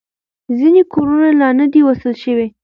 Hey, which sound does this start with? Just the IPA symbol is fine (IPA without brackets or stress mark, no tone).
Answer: z